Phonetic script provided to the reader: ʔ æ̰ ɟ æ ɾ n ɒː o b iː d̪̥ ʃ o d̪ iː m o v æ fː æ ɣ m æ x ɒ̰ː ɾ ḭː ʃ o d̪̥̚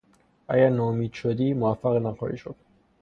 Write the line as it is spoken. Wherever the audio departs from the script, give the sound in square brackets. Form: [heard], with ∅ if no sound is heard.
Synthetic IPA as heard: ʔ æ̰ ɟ æ ɾ n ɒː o [m] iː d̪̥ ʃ o d̪ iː m o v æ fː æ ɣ [n] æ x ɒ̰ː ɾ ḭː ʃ o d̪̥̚